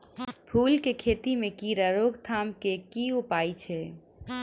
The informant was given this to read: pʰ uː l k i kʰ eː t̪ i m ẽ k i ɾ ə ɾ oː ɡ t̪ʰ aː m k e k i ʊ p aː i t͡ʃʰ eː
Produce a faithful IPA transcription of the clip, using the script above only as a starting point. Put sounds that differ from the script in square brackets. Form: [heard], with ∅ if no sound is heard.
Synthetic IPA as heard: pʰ uː l k [e] kʰ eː t̪ i m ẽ k i ɾ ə ɾ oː ɡ t̪ʰ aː m k e k i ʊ p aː i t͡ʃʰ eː

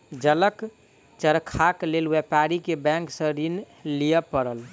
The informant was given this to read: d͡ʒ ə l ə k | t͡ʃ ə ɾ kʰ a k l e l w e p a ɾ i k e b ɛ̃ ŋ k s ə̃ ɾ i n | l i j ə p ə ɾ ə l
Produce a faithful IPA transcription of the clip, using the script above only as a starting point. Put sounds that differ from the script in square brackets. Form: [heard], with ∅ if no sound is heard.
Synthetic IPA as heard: d͡ʒ ə l ə k | t͡ʃ ə ɾ kʰ a k l e l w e p a ɾ i k e b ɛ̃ ŋ k s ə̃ ɾ i n | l i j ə p ə ɾ ə l

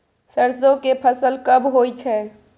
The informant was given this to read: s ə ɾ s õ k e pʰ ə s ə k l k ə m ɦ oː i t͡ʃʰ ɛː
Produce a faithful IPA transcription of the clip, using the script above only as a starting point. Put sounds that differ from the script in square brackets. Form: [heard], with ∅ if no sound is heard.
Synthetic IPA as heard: s ə ɾ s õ k e pʰ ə s ə [∅] l k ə [b] ɦ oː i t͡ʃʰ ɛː

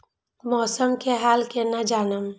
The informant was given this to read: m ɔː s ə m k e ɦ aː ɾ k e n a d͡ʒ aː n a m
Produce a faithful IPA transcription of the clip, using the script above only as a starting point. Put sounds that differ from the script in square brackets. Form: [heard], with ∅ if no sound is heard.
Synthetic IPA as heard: m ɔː s ə m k e ɦ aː [l] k e n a d͡ʒ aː n [ə] m

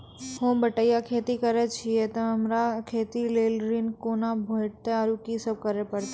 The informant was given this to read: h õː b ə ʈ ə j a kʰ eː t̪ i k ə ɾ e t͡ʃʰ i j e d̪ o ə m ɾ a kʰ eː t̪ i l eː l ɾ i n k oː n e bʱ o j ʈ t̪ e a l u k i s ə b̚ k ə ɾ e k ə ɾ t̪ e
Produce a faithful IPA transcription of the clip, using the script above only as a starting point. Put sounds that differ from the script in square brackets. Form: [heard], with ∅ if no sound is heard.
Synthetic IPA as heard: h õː b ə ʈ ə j a kʰ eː t̪ i k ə ɾ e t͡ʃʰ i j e [t̪] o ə m ɾ a kʰ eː t̪ i l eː l ɾ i n k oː n [a] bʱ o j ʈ t̪ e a [ɾ] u k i s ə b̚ k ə ɾ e [p] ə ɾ t̪ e

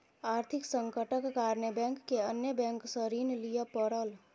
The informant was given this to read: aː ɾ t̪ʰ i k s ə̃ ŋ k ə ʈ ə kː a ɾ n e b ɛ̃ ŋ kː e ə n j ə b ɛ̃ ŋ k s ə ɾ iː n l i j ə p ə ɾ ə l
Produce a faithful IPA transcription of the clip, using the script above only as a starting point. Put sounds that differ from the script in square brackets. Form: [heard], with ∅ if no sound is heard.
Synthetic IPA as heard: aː ɾ t̪ʰ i k s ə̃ ŋ k ə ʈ ə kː a ɾ n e b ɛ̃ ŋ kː e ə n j ə b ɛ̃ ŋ k s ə ɾ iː n l i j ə p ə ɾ ə l

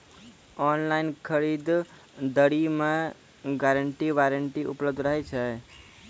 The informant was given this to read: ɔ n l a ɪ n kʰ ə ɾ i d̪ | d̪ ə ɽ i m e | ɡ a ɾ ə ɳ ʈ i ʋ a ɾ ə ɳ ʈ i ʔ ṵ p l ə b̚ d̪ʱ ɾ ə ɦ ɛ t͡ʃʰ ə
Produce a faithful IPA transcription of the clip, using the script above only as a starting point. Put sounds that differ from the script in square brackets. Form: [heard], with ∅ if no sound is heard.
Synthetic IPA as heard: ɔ n l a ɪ n kʰ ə ɾ i d̪ | d̪ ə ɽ i m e | ɡ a ɾ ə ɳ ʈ i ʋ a ɾ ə ɳ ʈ i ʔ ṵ p l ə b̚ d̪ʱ ɾ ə ɦ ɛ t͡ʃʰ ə

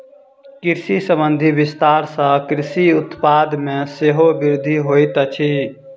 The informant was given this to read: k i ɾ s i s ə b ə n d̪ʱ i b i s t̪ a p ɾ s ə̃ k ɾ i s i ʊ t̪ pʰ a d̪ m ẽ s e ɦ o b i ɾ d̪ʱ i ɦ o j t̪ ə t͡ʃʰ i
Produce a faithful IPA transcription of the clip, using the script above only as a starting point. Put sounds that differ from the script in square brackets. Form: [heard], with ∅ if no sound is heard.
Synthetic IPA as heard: k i ɾ s i s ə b ə n d̪ʱ i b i s t̪ a [∅] ɾ s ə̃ k ɾ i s i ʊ t̪ [p] a d̪ m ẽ s e ɦ o b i ɾ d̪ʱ i ɦ o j t̪ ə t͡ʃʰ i

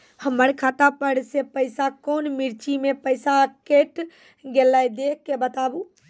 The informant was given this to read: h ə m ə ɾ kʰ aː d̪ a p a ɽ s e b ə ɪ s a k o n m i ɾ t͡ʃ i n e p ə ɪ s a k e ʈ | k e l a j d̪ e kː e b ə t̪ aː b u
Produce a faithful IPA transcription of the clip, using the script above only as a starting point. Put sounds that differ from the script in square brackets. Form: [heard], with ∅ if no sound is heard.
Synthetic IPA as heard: h ə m ə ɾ kʰ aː [t̪] a p [ə] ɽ s e [p] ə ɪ s a k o n m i ɾ t͡ʃ i [m] e p ə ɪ s a k e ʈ | [ɡ] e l a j d̪ e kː e b ə t̪ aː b u

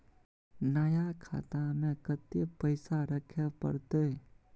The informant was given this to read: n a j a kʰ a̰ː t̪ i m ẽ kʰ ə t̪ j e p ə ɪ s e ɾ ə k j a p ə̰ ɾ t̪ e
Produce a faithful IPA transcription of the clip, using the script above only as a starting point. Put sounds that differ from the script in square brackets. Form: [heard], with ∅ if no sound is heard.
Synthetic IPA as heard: n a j a kʰ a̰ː t̪ [a] m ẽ [k] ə t̪ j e p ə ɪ s [a] ɾ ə [kʰ] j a p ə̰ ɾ t̪ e

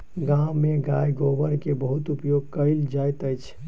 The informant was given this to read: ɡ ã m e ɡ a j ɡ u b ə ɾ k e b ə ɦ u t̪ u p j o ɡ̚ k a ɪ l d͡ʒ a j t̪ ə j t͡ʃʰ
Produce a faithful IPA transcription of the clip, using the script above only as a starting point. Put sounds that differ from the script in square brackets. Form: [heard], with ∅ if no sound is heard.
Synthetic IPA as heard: ɡ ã m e ɡ a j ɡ [o] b ə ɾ k e b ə ɦ u t̪ u p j o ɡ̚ k [ə] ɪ l d͡ʒ a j t̪ ə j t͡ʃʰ

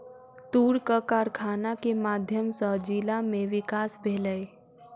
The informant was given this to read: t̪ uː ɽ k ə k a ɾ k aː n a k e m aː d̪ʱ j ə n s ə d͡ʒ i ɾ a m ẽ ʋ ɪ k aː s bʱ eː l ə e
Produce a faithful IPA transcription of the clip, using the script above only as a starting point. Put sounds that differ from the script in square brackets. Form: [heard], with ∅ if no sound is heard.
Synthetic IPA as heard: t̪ uː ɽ k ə k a ɾ [kʰ] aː n a k e m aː d̪ʱ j ə [m] s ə d͡ʒ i [l] a m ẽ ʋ ɪ k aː s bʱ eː l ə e

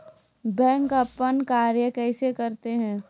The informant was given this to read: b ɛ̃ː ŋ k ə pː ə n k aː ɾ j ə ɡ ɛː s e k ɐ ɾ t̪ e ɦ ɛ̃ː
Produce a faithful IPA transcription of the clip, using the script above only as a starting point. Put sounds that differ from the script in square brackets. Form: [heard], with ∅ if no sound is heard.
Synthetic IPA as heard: b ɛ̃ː ŋ k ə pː ə n k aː ɾ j ə [k] ɛː s e k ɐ ɾ t̪ e ɦ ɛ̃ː

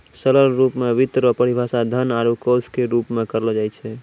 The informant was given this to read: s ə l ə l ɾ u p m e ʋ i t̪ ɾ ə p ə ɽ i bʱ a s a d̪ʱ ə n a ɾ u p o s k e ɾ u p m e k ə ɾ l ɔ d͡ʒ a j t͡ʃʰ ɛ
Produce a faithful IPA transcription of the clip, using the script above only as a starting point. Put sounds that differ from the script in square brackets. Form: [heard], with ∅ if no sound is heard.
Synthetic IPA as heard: s ə l ə l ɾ u p m e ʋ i t̪ ɾ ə p ə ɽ i bʱ a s a d̪ʱ ə n a ɾ u [k] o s k e ɾ u p m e k ə ɾ l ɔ d͡ʒ a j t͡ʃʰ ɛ

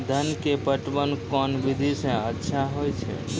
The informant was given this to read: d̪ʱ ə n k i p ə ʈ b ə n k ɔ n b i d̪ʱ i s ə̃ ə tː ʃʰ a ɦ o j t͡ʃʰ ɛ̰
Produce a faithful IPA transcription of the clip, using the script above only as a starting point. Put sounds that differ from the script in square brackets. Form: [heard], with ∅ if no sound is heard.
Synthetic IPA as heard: d̪ʱ ə n k [e] p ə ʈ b ə n k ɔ n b i d̪ʱ i s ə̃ ə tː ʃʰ a ɦ o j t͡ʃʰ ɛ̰

